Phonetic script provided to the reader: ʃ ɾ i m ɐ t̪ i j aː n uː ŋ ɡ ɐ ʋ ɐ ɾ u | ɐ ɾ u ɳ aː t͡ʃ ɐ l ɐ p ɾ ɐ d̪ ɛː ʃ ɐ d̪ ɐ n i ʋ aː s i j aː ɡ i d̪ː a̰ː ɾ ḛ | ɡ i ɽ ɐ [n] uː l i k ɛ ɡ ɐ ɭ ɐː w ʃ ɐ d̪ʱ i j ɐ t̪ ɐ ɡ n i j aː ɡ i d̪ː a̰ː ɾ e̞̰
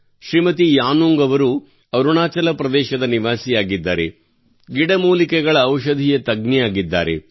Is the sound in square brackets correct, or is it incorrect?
incorrect: m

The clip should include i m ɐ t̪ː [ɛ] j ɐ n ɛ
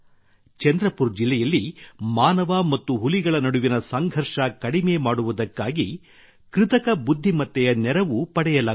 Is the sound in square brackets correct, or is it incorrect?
correct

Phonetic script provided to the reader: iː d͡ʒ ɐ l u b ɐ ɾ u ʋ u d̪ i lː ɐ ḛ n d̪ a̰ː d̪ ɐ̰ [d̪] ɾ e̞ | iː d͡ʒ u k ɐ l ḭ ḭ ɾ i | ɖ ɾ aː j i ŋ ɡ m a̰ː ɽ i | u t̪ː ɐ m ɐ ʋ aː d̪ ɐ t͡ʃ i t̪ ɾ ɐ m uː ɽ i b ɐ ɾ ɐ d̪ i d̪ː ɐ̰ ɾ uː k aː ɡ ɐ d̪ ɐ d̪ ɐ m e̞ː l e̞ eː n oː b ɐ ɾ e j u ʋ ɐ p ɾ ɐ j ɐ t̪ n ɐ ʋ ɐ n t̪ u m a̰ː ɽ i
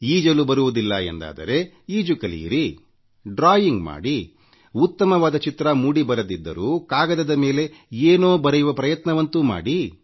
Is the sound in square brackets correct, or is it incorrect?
incorrect: none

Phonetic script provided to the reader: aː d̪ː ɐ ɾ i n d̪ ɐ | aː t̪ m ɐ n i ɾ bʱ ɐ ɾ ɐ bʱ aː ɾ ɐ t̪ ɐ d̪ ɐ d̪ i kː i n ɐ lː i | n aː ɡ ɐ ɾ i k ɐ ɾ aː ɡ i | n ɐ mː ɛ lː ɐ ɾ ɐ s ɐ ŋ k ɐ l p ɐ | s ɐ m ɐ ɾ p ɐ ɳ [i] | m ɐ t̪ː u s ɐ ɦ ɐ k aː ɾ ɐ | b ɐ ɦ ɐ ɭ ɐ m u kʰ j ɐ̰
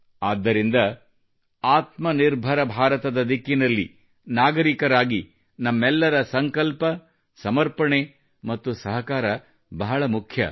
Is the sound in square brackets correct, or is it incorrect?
incorrect: e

